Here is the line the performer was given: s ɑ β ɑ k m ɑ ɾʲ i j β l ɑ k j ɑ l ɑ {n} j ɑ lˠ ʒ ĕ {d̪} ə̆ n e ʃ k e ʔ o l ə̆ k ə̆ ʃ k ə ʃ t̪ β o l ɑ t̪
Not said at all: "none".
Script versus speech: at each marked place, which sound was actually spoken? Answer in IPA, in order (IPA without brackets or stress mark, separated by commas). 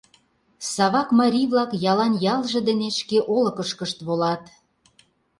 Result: n, d̪